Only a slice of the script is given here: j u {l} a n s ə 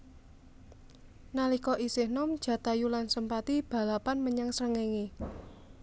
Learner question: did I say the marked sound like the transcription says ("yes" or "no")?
yes